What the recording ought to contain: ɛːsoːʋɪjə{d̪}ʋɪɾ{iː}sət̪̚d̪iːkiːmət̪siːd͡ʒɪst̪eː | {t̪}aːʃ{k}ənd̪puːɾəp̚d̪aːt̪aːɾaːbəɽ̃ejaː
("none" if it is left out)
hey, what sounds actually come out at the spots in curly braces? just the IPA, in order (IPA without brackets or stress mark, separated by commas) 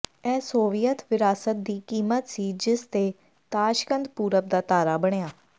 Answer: t̪, aː, t̪, k